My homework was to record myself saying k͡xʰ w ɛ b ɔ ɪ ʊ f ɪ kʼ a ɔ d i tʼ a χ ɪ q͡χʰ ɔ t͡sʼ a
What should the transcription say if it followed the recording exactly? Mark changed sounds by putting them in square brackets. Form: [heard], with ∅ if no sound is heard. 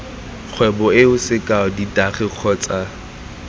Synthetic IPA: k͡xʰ w ɛ b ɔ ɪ ʊ [s] ɪ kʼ a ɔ d i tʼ a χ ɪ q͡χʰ ɔ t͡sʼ a